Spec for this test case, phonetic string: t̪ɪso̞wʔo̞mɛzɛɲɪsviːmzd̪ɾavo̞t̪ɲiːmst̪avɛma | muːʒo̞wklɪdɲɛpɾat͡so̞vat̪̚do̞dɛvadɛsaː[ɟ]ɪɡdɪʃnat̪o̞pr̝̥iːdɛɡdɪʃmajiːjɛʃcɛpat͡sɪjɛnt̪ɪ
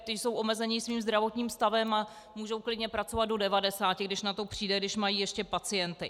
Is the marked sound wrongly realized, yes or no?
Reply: yes